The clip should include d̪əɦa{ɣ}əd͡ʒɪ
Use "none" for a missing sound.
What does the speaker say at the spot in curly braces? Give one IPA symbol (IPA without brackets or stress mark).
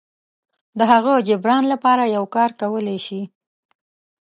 ɣ